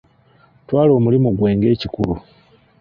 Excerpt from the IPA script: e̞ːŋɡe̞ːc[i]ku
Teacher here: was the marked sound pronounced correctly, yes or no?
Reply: yes